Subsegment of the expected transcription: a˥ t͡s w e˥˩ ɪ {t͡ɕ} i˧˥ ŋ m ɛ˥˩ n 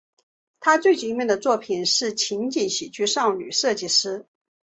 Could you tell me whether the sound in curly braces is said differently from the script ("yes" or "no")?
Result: no